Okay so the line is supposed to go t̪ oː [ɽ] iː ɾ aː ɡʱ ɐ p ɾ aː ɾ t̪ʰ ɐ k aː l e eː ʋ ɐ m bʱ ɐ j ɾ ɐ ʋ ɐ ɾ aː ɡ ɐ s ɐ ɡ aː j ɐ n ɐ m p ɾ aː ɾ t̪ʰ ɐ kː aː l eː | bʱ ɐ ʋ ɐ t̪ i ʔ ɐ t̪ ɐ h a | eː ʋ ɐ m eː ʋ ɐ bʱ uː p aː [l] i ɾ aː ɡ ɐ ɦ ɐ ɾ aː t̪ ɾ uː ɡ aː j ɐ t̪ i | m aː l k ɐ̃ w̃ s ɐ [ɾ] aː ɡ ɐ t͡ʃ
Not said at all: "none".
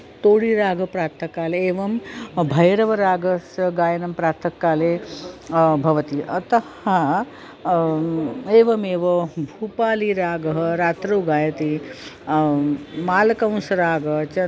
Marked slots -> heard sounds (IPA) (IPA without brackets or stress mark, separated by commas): ɽ, l, ɾ